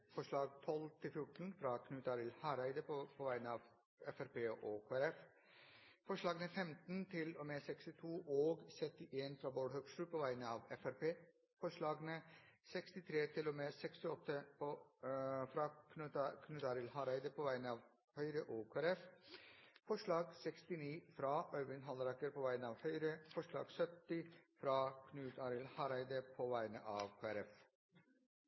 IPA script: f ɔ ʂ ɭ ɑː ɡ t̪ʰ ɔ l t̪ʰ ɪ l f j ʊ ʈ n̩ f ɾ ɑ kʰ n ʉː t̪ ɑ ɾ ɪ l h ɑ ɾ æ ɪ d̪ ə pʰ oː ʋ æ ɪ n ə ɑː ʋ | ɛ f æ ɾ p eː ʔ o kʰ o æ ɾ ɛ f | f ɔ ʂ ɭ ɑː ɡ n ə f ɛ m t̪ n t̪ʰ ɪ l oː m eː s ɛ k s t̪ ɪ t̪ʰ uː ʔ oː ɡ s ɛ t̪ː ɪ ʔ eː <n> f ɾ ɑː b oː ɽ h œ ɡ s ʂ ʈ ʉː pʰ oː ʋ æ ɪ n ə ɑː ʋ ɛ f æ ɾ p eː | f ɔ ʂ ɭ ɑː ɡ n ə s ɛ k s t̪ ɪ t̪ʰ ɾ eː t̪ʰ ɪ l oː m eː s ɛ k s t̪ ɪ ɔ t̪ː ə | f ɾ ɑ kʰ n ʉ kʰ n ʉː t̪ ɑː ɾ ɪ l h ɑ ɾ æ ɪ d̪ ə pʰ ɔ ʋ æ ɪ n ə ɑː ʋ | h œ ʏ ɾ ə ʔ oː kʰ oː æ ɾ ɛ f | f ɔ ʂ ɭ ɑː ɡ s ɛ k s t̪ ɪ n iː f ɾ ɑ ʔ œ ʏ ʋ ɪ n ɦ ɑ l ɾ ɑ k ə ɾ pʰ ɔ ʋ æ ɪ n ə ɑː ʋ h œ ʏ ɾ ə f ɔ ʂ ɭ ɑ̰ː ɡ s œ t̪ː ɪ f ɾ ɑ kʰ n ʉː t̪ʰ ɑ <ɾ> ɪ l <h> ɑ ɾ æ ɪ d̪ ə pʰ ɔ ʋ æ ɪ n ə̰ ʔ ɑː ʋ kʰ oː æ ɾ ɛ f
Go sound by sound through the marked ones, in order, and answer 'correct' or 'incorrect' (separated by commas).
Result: correct, correct, correct